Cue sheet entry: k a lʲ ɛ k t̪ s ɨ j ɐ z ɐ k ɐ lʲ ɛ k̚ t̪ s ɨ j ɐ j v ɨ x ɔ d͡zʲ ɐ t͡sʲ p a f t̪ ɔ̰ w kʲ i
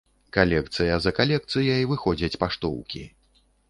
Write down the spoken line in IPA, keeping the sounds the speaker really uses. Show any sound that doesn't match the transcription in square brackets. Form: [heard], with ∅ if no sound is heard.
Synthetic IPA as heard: k a lʲ ɛ k t̪ s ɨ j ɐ z ɐ k [a] lʲ ɛ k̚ t̪ s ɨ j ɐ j v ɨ x ɔ d͡zʲ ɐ t͡sʲ p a [ʂ] t̪ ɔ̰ w kʲ i